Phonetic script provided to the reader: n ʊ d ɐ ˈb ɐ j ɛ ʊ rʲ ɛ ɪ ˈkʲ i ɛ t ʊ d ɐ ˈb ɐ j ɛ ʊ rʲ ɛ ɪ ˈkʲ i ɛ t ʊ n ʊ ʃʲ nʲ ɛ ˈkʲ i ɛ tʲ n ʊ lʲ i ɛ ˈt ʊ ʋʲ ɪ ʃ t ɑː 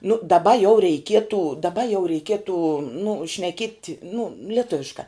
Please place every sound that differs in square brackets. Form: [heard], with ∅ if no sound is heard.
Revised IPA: n ʊ d ɐ ˈb ɐ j ɛ ʊ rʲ ɛ ɪ ˈkʲ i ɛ t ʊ d ɐ ˈb ɐ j ɛ ʊ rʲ ɛ ɪ ˈkʲ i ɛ t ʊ n ʊ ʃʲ nʲ ɛ ˈkʲ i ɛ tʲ n ʊ lʲ i ɛ ˈt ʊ ʋʲ ɪ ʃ [k] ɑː